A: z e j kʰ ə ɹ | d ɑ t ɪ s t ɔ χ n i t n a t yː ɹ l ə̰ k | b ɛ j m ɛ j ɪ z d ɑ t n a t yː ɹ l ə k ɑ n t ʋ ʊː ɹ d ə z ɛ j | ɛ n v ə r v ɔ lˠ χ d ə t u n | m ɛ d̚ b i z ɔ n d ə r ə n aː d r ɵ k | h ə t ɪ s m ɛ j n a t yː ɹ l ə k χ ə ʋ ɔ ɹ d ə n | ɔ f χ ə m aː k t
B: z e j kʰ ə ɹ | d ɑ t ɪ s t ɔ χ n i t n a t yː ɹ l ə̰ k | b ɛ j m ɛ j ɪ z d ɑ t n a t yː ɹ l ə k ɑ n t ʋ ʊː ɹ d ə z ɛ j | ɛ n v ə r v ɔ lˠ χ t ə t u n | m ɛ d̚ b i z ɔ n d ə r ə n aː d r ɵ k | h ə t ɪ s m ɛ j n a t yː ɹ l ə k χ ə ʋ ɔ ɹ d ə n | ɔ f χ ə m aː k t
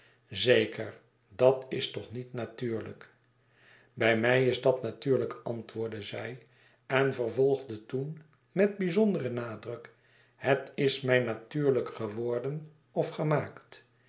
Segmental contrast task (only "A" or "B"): A